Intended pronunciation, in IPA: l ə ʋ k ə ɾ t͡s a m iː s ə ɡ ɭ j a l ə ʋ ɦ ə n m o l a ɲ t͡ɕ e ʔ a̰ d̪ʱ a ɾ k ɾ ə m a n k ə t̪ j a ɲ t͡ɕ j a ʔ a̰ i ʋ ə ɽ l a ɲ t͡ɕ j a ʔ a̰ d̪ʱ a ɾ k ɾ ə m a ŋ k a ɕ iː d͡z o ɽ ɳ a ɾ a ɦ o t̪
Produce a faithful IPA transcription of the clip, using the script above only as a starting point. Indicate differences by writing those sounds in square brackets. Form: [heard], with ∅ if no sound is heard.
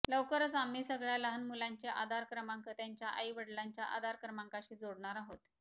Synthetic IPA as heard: l ə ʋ k ə ɾ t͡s a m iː s ə ɡ ɭ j a l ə [∅] ɦ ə n m [u] l a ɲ t͡ɕ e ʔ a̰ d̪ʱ a ɾ k ɾ ə m a [ŋ] k ə t̪ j a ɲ t͡ɕ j a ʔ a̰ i ʋ ə ɽ l a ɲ t͡ɕ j a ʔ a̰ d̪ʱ a ɾ k ɾ ə m a ŋ k a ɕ iː d͡z o ɽ ɳ a ɾ a ɦ o t̪